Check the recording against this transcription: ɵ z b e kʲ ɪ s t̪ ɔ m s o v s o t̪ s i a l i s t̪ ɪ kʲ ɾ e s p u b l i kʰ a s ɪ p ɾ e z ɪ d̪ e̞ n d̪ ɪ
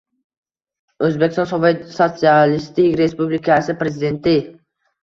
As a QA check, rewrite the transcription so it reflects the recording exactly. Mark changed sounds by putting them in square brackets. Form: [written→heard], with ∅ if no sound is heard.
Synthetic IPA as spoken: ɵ z b e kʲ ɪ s t̪ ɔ [m→n] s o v s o t̪ s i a l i s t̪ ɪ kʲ ɾ e s p u b l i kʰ a s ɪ p ɾ e z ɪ d̪ e̞ n [d̪→t̪] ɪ

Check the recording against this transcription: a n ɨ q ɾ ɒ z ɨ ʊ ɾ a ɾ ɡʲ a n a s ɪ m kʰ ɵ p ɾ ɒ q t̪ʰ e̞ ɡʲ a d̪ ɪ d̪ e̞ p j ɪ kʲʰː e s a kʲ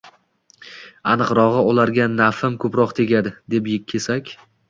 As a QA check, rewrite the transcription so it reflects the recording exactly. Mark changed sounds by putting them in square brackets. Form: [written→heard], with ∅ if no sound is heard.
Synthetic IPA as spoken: a n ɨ q ɾ ɒ [z→ʁ] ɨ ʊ [ɾ→l] a ɾ ɡʲ a n a [s→f] ɪ m kʰ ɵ p ɾ ɒ q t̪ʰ e̞ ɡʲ a d̪ ɪ d̪ e̞ p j ɪ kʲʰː e s a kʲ

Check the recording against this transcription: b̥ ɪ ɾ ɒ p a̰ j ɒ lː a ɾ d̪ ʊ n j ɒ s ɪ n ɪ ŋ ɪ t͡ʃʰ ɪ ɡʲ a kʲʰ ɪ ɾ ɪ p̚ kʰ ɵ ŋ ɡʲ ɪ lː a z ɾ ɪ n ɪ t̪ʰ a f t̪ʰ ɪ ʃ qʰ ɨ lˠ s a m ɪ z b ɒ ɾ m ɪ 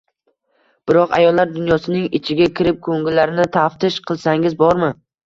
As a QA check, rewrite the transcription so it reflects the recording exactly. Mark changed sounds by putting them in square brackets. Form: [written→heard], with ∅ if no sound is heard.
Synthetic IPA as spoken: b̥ ɪ ɾ ɒ [p→q] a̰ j ɒ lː a ɾ d̪ ʊ n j ɒ s ɪ n ɪ ŋ ɪ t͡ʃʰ ɪ ɡʲ a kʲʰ ɪ ɾ ɪ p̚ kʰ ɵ ŋ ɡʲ ɪ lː a [z→∅] ɾ ɪ n ɪ t̪ʰ a f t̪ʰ ɪ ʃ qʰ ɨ lˠ s a [m→ŋ] ɪ z b ɒ ɾ m ɪ

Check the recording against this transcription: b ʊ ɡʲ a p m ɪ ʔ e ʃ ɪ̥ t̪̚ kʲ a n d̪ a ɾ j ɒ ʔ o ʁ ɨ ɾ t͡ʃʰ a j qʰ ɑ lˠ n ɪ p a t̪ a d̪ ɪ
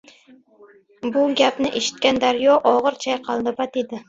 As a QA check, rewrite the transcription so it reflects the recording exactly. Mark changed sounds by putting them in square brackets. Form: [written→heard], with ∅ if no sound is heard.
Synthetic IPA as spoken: b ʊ ɡʲ a p [m→n] ɪ ʔ e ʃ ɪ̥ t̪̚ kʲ a n d̪ a ɾ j ɒ ʔ [o→ɒ] ʁ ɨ ɾ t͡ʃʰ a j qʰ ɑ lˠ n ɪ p a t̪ [a→e] d̪ ɪ

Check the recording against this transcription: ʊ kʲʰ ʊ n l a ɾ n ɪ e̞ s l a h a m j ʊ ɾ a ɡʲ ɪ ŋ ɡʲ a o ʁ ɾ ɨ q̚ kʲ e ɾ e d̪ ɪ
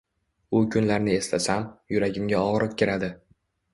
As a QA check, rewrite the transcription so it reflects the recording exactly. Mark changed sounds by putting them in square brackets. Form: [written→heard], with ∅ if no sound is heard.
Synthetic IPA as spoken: ʊ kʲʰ ʊ n l a ɾ n ɪ e̞ s l a [h→s] a m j ʊ ɾ a ɡʲ ɪ [ŋ→m] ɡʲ a [o→ɒ] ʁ ɾ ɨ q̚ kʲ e ɾ [e→a] d̪ ɪ

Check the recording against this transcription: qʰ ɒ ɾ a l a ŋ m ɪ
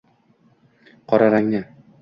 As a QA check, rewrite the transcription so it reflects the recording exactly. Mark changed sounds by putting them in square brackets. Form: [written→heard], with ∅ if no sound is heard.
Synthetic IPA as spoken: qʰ ɒ ɾ a [l→ɾ] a ŋ [m→n] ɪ

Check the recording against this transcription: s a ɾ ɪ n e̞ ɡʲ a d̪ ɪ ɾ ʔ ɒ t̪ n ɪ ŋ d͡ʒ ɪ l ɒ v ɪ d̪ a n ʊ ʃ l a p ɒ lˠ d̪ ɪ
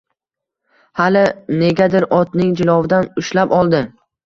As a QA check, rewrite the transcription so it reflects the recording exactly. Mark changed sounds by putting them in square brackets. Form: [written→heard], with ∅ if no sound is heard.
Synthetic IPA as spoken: [s→h] a [ɾ→l] ɪ n e̞ ɡʲ a d̪ ɪ ɾ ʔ ɒ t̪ n ɪ ŋ d͡ʒ ɪ l ɒ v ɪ d̪ a n ʊ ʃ l a p ɒ lˠ d̪ ɪ

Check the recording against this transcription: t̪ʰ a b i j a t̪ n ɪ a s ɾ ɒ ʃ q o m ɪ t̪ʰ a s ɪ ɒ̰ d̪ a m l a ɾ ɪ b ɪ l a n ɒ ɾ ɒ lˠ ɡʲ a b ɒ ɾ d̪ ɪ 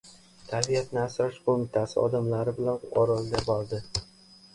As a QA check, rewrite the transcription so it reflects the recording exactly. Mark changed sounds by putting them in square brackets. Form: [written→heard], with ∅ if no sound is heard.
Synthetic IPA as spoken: t̪ʰ a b i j a t̪ n ɪ a s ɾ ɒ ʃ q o m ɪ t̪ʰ a s ɪ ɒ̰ d̪ a m l a ɾ ɪ b ɪ l a n ɒ ɾ ɒ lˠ ɡʲ a b ɒ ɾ d̪ ɪ

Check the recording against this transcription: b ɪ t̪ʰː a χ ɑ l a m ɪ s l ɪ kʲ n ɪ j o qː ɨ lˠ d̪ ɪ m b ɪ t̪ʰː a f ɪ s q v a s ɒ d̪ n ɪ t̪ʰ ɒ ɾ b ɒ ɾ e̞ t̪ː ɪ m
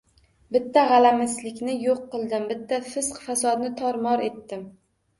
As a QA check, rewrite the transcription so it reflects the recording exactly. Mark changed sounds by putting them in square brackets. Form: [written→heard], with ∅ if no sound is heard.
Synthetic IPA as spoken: b ɪ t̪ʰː a [χ→ʁ] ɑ l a m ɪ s l ɪ kʲ n ɪ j o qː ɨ lˠ d̪ ɪ m b ɪ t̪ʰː a f ɪ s q [v→f] a s ɒ d̪ n ɪ t̪ʰ ɒ ɾ [b→m] ɒ ɾ e̞ t̪ː ɪ m

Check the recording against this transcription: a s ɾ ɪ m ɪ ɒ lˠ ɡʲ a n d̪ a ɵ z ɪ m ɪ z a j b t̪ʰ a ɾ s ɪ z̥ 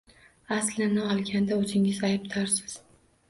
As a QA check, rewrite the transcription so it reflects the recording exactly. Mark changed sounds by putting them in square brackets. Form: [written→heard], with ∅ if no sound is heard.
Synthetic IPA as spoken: a s [ɾ→l] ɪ [m→n] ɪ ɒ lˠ ɡʲ a n d̪ a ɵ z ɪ [m→ŋ] ɪ z a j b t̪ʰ a ɾ s ɪ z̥

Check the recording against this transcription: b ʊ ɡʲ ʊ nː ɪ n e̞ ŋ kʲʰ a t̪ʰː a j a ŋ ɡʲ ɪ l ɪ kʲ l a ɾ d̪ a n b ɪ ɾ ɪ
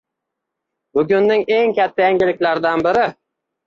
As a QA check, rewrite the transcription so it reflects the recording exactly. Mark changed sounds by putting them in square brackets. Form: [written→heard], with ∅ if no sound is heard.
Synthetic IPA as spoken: b ʊ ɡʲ ʊ nː ɪ [n→ŋ] e̞ ŋ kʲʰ a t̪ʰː a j a ŋ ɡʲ ɪ l ɪ kʲ l a ɾ d̪ a n b ɪ ɾ ɪ

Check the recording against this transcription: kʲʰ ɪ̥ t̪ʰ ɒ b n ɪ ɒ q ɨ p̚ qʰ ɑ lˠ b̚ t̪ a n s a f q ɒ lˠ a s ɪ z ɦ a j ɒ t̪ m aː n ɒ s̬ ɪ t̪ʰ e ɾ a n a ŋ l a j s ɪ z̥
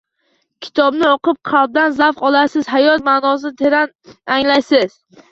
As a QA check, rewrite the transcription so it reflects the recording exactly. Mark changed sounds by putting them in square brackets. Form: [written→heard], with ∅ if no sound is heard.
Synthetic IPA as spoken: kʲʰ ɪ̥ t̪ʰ ɒ b n ɪ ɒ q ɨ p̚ qʰ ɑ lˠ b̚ [t̪→d̪] a n [s→z] a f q ɒ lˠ a s ɪ z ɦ a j ɒ t̪ m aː n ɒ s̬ ɪ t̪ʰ e ɾ a n a ŋ l a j s ɪ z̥

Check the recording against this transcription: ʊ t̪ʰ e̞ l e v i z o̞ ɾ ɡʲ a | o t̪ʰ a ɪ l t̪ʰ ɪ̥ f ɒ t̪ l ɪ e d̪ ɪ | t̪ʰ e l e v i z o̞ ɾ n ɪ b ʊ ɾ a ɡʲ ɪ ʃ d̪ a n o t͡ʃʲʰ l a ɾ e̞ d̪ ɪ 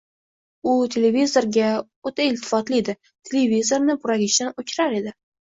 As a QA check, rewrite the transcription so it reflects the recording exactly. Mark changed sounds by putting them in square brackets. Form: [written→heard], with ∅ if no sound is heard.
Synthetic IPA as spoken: ʊ t̪ʰ e̞ l e v i z o̞ ɾ ɡʲ a | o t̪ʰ a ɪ l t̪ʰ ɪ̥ f ɒ t̪ l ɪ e d̪ ɪ | t̪ʰ e l e v i z o̞ ɾ n ɪ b ʊ ɾ a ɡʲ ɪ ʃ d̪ a n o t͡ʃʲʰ [l→ɾ] a ɾ e̞ d̪ ɪ

